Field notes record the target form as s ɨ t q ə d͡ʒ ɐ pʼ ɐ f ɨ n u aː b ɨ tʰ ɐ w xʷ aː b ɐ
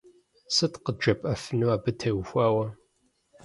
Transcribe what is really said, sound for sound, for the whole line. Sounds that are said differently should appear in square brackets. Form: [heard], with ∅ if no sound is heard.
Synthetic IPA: s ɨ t q ə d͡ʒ ɐ pʼ ɐ f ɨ n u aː b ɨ tʰ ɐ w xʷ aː [w] ɐ